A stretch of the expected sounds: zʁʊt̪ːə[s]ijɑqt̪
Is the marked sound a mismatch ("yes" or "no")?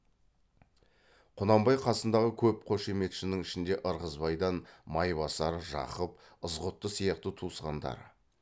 no